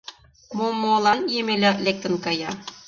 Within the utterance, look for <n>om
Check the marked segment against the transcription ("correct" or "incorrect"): incorrect